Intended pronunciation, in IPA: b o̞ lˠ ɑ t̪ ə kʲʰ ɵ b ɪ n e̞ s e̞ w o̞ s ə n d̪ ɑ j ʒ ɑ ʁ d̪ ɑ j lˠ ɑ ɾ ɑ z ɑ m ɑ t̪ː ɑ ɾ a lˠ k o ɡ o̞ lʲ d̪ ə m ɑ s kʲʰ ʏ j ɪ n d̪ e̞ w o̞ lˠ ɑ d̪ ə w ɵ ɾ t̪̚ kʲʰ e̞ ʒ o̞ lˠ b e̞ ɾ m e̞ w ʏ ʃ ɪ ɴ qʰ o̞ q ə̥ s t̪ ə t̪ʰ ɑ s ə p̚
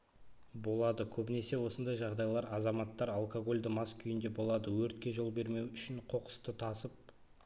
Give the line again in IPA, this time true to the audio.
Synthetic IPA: b o̞ lˠ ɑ d̪ ə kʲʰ ɵ b ɪ n e̞ s e̞ w o̞ s ə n d̪ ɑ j ʒ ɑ ʁ d̪ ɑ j lˠ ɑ ɾ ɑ z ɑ m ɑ t̪ː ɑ ɾ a lˠ k o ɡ o̞ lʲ d̪ ə m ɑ s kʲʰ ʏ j ɪ n d̪ e̞ b o̞ lˠ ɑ d̪ ə w ɵ ɾ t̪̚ kʲ e̞ ʒ o̞ lˠ b e̞ ɾ m e̞ w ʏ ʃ ɪ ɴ qʰ o̞ q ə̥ s t̪ ə t̪ʰ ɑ s ə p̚

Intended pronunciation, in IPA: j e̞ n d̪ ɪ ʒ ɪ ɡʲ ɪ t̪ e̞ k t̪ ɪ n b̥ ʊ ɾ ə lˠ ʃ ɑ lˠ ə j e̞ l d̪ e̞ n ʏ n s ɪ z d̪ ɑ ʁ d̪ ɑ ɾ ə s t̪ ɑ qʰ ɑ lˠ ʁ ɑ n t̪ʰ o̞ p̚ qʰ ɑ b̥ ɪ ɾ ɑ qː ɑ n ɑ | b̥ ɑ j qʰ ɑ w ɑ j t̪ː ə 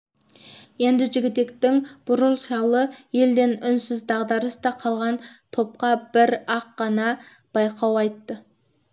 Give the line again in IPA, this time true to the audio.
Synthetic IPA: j e̞ n d̪ ɪ ʒ ɪ ɡʲ ɪ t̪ e̞ k t̪ ɪ ŋ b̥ ʊ ɾ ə lˠ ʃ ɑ lˠ ə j e̞ l d̪ e̞ n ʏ n s ɪ z d̪ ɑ ʁ d̪ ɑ ɾ ə s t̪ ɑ qʰ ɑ lˠ ʁ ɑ n t̪ʰ o̞ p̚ q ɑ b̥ ɪ ɾ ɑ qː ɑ n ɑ | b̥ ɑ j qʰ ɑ w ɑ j t̪ː ə

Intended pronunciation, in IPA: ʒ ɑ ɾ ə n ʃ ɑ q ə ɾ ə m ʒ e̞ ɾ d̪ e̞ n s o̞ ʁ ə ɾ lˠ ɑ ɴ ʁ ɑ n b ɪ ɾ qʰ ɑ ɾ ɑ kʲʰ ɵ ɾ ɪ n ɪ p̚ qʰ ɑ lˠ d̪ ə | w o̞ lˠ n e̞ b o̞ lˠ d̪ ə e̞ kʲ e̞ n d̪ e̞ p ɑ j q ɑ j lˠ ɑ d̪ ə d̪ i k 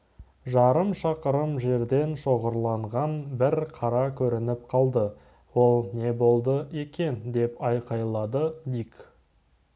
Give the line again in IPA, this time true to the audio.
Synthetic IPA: ʒ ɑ ɾ ə m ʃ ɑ q ə ɾ ə m ʒ e̞ ɾ d̪ e̞ n ʃ o̞ ʁ ə ɾ lˠ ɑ ɴ ʁ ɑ n b ɪ ɾ qʰ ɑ ɾ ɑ kʲʰ ɵ ɾ ɪ n ɪ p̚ qʰ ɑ lˠ d̪ ə | w o̞ lˠ n e̞ b o̞ lˠ d̪ ə e̞ kʲ e̞ n d̪ e̞ p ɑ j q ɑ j lˠ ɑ d̪ ə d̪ i k

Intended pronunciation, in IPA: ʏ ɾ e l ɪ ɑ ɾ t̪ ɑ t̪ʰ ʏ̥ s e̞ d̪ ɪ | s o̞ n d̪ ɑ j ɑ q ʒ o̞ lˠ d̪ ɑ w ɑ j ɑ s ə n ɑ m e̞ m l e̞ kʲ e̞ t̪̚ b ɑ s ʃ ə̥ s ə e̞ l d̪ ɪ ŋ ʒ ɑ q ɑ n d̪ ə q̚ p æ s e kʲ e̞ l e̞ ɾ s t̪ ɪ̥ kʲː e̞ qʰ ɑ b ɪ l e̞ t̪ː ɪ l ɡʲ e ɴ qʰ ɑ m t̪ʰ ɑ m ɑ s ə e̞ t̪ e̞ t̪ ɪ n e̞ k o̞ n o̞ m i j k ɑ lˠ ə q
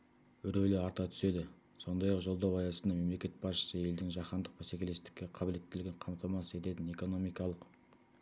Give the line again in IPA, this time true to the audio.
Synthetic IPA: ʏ ɾ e l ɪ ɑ ɾ t̪ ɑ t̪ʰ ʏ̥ s e̞ d̪ ɪ | s o̞ n d̪ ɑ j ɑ q ʒ o̞ lˠ d̪ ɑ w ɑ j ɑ s ə n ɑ m e̞ m l e̞ kʲ e̞ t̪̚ b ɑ s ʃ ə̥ s ə e̞ l d̪ ɪ ŋ ʒ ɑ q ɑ n d̪ ə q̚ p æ s e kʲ e̞ l e̞ s t̪ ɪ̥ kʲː e̞ qʰ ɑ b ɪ l e̞ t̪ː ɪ l ɡʲ e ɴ qʰ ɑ m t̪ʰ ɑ m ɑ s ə e̞ t̪ e̞ t̪ ɪ n e̞ k o̞ n o̞ m i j k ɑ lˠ ə q

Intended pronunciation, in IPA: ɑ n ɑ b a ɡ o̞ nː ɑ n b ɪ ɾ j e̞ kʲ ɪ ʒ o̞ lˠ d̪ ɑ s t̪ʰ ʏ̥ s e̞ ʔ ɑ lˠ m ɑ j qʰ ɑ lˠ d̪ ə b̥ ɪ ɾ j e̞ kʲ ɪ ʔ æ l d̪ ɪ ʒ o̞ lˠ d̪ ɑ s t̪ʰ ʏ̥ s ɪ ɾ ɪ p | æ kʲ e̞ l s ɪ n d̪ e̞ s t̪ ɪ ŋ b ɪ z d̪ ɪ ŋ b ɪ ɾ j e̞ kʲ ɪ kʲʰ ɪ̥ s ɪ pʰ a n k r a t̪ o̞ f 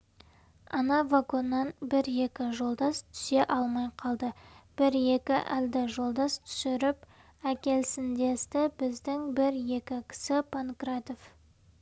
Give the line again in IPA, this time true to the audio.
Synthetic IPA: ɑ n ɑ v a ɡ o̞ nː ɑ n b ɪ ɾ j e̞ kʲ ɪ ʒ o̞ lˠ d̪ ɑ s t̪ʰ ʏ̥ s e̞ ʔ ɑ lˠ m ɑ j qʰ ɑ lˠ d̪ ə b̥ ɪ ɾ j e̞ kʲ ɪ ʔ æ l d̪ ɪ ʒ o̞ lˠ d̪ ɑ s t̪ʰ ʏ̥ s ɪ ɾ ɪ p | æ kʲ e̞ l s ɪ n d̪ e̞ s t̪ ɪ b ɪ z d̪ ɪ ŋ b ɪ ɾ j e̞ kʲ ɪ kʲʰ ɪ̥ s ɪ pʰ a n k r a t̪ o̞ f

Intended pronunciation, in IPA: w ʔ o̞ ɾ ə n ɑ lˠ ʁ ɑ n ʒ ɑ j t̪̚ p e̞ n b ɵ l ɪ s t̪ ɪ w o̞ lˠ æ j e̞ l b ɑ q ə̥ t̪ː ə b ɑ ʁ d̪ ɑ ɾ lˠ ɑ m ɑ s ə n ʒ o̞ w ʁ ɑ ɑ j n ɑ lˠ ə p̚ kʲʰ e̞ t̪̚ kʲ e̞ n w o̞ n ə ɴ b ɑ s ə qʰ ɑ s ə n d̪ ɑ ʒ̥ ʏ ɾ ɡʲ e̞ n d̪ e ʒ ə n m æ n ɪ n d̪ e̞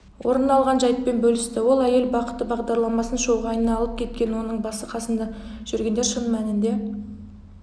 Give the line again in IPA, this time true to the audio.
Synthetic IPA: w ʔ o̞ ɾ ə n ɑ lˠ ʁ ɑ n ʒ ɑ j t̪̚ p e̞ n b ɵ l ɪ s t̪ ɪ w o̞ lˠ æ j e̞ l b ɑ q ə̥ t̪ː ə b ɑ ʁ d̪ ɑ ɾ lˠ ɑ m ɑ s ə n ʃ o̞ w ʁ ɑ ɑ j n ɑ lˠ ə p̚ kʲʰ e̞ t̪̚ kʲ e̞ n w o̞ n ə ɴ b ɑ s ə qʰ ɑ s ə n d̪ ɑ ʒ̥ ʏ ɾ ɡʲ e̞ n d̪ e ʃ ə n m æ n ɪ n d̪ e̞

